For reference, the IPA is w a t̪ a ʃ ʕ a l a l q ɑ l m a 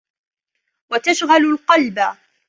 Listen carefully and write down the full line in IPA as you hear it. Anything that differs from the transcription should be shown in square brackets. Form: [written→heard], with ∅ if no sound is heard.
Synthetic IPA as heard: w a t̪ a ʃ [ʕ→ɣ] a l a l q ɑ l [m→b] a